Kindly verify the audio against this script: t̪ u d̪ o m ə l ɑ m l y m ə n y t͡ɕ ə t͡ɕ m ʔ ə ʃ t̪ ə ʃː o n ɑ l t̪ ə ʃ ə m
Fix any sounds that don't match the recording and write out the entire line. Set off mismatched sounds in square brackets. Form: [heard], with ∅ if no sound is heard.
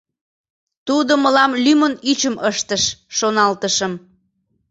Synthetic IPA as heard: t̪ u d̪ o m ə l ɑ m l y m ə n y t͡ɕ ə [∅] m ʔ ə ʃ t̪ ə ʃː o n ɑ l t̪ ə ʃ ə m